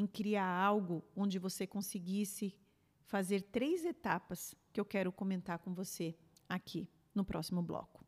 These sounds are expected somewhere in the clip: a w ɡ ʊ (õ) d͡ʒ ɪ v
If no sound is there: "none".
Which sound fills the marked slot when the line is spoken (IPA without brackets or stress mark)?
õ